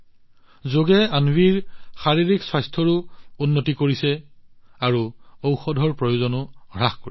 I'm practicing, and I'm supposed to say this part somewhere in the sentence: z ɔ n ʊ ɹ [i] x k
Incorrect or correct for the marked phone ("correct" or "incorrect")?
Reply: incorrect